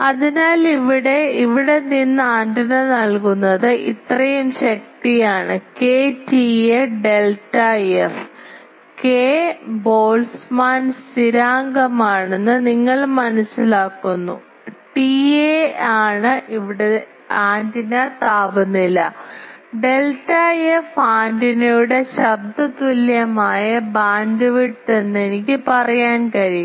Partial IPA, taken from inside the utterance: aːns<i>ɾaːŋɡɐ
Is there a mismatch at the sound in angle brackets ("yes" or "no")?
no